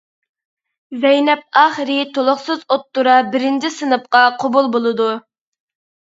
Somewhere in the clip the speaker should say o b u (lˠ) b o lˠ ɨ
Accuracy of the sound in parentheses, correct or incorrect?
correct